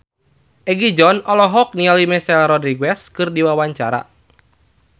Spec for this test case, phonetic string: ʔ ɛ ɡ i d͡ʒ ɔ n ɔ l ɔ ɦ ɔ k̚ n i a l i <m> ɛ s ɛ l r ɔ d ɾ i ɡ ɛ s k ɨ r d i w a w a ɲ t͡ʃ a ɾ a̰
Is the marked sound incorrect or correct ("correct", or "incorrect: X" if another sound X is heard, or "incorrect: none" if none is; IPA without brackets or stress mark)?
correct